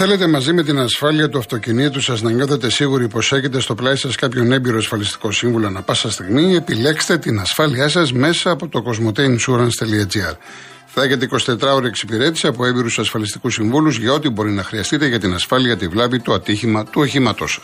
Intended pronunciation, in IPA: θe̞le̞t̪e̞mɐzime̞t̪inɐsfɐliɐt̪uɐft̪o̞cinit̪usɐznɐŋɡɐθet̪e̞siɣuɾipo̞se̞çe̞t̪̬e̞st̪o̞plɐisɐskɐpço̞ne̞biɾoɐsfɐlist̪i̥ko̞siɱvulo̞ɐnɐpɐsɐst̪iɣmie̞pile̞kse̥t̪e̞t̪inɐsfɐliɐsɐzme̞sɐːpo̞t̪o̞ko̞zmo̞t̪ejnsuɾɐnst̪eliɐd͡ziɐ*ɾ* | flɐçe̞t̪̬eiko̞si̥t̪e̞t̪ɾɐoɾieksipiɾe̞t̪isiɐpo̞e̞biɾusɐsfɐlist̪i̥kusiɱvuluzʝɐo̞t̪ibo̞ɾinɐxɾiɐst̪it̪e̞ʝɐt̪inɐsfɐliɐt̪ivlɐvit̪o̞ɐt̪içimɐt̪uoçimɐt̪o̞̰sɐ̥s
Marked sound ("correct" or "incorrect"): correct